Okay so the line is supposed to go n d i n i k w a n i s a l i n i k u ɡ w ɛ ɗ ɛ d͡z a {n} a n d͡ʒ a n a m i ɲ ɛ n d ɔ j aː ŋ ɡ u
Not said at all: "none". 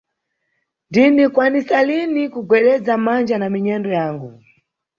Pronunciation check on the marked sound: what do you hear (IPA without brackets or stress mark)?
m